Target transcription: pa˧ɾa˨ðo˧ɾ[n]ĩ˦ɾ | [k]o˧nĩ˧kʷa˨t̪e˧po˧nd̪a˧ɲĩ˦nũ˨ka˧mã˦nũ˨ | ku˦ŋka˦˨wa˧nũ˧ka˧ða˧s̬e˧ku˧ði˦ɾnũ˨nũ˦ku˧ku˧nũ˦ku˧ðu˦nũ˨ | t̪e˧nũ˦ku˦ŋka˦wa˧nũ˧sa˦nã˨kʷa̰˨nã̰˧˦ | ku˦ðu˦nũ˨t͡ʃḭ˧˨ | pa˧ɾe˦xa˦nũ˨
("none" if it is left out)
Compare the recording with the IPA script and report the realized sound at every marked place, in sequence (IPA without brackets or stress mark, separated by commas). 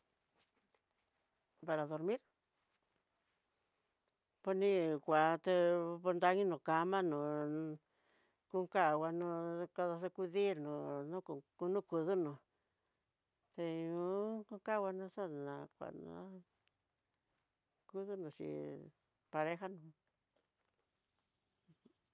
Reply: m, p